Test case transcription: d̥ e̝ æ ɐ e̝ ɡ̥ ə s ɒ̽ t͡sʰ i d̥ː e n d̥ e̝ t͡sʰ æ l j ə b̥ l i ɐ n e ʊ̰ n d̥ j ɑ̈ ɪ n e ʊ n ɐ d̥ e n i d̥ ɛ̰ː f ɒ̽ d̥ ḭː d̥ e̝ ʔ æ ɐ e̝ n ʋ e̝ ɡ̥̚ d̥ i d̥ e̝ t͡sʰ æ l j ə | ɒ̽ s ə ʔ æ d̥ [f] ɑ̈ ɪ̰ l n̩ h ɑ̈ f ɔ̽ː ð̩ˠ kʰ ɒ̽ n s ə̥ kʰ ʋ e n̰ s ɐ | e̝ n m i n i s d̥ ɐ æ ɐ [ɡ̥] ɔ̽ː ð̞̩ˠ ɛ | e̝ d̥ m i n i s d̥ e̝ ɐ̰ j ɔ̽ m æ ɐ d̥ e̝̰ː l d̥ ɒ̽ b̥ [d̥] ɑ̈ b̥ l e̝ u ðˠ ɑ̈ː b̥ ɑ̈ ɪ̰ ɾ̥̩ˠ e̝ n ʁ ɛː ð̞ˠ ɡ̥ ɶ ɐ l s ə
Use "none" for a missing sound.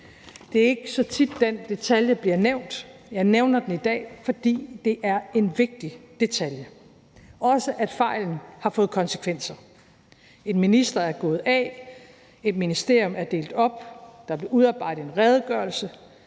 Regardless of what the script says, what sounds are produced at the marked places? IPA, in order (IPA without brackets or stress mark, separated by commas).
f, ɡ̥, d̥